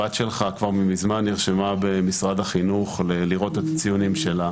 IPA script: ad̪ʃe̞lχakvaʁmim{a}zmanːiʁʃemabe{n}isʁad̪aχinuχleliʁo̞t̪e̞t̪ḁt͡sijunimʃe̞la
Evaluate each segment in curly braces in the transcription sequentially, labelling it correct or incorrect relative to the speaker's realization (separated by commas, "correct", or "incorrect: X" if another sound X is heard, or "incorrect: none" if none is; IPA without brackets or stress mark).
incorrect: i, incorrect: m